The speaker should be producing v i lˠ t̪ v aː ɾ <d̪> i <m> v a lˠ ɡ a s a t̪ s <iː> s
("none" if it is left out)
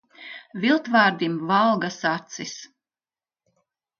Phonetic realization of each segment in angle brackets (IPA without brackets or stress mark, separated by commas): d̪, m, i